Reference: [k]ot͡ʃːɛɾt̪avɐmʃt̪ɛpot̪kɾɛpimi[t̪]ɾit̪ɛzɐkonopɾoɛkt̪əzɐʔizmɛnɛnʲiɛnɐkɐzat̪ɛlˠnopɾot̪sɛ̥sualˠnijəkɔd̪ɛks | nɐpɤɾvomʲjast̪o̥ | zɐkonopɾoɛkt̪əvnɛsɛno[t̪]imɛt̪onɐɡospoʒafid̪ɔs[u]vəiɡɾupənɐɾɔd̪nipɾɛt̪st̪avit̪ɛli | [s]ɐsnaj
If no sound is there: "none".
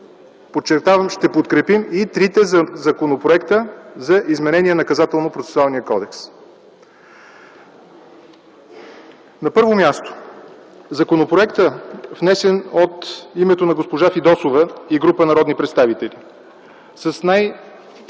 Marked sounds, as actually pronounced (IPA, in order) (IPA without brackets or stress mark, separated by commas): p, t̪, t̪, o, s